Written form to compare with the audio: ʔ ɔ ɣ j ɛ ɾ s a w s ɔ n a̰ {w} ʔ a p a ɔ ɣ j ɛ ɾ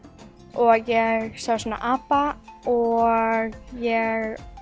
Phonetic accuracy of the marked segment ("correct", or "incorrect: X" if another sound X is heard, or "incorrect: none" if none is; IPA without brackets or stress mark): incorrect: none